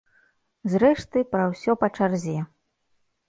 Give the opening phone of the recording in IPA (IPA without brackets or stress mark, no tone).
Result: z